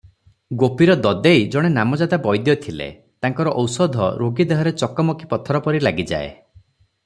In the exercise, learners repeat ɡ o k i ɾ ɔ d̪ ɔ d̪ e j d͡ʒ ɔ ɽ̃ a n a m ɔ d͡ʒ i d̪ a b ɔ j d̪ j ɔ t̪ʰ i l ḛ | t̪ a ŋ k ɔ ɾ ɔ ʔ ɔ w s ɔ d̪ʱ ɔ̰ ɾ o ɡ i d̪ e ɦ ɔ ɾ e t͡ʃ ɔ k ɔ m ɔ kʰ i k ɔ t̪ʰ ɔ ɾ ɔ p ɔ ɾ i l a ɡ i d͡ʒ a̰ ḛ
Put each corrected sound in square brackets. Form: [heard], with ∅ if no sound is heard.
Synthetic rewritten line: ɡ o [p] i ɾ ɔ d̪ ɔ d̪ e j d͡ʒ ɔ ɽ̃ [e] n a m ɔ d͡ʒ [a] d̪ a b ɔ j d̪ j ɔ t̪ʰ i l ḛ | t̪ a ŋ k ɔ ɾ ɔ ʔ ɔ w s ɔ d̪ʱ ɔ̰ ɾ o ɡ i d̪ e ɦ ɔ ɾ e t͡ʃ ɔ k ɔ m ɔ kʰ i [p] ɔ t̪ʰ ɔ ɾ ɔ p ɔ ɾ i l a ɡ i d͡ʒ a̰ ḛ